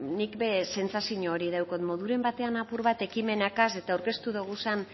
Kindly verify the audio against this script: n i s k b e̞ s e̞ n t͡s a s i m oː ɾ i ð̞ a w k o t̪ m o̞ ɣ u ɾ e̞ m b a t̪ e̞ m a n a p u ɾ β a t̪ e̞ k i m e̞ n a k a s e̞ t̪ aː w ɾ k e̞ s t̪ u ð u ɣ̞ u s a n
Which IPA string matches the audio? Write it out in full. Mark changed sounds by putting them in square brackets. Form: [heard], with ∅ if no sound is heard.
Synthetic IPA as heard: n i [∅] k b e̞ s e̞ n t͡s a s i [ɲ] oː ɾ i ð̞ a w k o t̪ m o̞ [ð] u ɾ e̞ m b a t̪ e̞ [∅] a n a p u ɾ β a t̪ e̞ k i m e̞ n a k a s e̞ t̪ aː w ɾ k e̞ s t̪ u ð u ɣ̞ u s a n